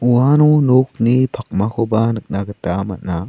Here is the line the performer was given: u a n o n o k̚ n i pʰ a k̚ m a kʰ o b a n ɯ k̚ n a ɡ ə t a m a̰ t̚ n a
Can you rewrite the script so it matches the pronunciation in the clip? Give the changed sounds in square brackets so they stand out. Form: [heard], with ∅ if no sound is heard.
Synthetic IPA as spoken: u a n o n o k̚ n i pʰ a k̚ m a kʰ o b a n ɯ k̚ n a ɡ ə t a m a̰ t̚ n a